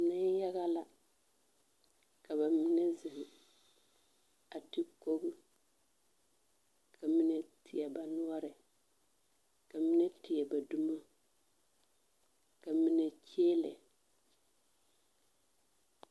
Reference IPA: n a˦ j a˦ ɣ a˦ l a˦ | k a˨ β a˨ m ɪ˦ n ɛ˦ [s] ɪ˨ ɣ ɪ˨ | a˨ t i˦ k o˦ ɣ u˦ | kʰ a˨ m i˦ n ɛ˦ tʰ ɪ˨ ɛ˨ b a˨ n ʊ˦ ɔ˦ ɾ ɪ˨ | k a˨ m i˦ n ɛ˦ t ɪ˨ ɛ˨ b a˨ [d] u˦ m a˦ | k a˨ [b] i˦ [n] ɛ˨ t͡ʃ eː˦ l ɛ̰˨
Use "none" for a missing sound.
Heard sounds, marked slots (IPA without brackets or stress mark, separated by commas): z, d, m, n